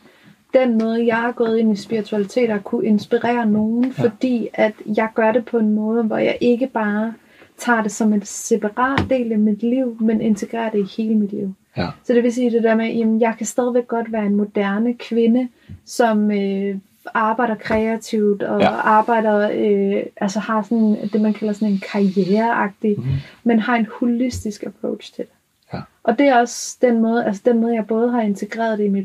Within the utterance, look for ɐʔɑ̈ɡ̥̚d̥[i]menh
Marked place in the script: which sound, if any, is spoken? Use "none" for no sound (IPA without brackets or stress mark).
i